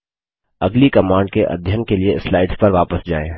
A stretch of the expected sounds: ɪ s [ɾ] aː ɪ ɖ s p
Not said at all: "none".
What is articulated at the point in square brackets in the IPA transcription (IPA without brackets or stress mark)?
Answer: l